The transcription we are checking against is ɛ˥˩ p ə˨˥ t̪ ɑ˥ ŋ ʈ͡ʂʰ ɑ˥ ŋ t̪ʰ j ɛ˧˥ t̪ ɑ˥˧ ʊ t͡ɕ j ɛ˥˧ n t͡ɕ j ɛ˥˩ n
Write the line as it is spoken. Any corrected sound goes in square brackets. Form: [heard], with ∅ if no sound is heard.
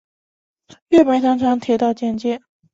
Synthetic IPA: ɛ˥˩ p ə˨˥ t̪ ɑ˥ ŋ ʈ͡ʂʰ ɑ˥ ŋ t̪ʰ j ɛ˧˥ t̪ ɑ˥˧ ʊ t͡ɕ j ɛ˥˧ n t͡ɕ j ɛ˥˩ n